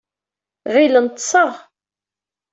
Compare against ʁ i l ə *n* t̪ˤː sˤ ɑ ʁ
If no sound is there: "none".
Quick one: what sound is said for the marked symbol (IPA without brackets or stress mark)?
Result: n